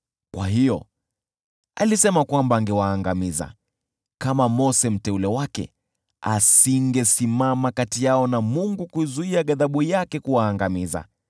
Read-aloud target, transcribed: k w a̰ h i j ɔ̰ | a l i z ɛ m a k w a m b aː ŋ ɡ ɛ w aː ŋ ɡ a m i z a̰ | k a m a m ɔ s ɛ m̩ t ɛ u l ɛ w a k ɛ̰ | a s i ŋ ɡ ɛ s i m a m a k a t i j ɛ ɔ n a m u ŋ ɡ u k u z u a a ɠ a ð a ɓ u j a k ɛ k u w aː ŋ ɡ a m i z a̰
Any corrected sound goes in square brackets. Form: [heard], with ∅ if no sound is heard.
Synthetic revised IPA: k w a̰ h i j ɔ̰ | a l i [s] ɛ m a k w a m b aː ŋ ɡ ɛ w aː ŋ ɡ a m i z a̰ | k a m a m ɔ s ɛ m̩ t ɛ u l ɛ w a k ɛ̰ | a s i ŋ ɡ ɛ s i m a m a k a t i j [a] ɔ n a m u ŋ ɡ u k u z u [i] a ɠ a ð a ɓ u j a k ɛ k u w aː ŋ ɡ a m i z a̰